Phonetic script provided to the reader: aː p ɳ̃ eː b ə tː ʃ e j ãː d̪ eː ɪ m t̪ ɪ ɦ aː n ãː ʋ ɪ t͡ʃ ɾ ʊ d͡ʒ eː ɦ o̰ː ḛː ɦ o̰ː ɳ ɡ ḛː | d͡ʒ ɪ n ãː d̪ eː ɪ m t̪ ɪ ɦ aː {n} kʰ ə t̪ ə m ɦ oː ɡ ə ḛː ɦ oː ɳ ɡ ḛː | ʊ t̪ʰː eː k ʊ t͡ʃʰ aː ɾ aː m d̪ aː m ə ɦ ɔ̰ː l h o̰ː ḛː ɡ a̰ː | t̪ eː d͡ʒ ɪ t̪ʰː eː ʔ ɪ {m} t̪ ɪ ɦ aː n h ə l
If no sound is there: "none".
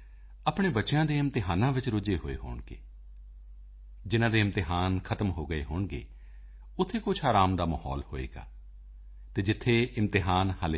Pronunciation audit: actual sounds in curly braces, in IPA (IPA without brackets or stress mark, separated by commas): n, m